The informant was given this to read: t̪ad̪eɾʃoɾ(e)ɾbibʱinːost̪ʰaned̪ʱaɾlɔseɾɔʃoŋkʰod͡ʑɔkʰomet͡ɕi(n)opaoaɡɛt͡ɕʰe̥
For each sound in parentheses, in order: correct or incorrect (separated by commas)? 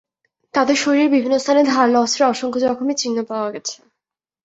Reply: incorrect, incorrect